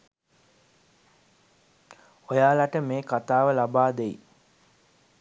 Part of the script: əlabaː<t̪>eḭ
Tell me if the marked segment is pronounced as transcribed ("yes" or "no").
no